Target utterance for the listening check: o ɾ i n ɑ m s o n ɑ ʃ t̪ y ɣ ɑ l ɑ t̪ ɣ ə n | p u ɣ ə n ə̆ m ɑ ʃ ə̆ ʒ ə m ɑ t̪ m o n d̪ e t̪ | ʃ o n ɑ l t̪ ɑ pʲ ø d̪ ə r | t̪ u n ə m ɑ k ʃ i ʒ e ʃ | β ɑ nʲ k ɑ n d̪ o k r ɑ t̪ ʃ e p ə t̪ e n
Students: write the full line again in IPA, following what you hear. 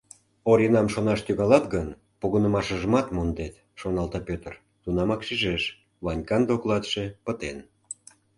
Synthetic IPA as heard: o ɾ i n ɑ m ʃ o n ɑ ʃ t̪ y ɣ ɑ l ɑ t̪ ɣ ə n | p u ɣ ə n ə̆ m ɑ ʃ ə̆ ʒ ə m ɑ t̪ m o n d̪ e t̪ | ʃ o n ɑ l t̪ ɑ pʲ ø t̪ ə r | t̪ u n ɑ m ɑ k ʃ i ʒ e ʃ | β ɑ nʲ k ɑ n d̪ o k l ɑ t̪ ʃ e p ə t̪ e n